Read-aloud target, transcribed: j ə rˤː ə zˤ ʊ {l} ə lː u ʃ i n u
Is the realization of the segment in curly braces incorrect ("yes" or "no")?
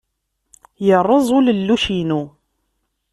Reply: no